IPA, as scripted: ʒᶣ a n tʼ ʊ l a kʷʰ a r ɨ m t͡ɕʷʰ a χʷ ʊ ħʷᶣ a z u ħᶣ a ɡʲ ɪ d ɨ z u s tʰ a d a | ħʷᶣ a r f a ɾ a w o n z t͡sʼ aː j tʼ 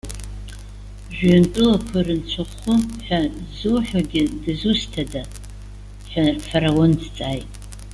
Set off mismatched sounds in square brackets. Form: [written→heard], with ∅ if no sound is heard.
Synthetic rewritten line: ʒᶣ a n tʼ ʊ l a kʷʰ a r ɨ [m→n] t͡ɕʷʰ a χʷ ʊ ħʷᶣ a z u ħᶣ a ɡʲ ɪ d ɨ z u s tʰ a d a | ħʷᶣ a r f a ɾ a w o n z t͡sʼ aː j tʼ